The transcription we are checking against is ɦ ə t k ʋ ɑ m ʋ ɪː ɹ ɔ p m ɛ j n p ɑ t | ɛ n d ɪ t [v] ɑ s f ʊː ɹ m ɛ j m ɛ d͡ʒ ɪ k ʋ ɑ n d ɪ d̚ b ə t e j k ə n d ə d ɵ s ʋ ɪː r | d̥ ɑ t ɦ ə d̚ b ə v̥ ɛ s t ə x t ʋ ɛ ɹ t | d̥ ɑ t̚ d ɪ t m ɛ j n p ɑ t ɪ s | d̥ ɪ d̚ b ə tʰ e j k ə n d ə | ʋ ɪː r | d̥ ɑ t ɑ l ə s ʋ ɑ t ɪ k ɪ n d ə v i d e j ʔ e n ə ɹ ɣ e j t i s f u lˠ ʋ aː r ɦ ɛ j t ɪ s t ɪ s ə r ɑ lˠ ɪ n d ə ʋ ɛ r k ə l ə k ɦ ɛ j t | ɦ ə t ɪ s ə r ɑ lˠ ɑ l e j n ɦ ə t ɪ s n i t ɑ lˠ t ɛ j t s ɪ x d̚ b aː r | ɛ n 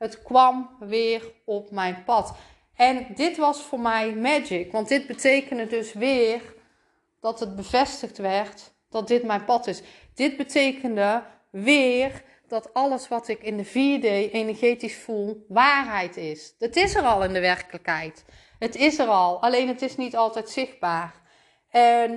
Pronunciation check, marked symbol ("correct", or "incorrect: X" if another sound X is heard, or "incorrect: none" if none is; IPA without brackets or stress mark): incorrect: ʋ